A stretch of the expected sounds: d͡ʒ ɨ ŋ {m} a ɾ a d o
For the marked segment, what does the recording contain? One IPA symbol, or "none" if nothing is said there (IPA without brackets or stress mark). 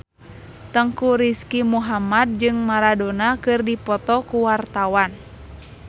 m